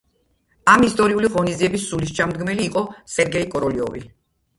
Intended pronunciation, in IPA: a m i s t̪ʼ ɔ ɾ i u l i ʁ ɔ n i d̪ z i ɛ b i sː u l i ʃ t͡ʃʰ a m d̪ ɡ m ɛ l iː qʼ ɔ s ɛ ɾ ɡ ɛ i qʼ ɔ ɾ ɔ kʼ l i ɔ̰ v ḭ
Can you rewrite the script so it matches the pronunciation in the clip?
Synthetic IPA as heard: a m i s t̪ʼ ɔ ɾ i u l i ʁ ɔ n i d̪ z i ɛ b i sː u l i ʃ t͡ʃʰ a m d̪ ɡ m ɛ l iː qʼ ɔ s ɛ ɾ ɡ ɛ i kʼ ɔ ɾ ɔ l i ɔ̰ v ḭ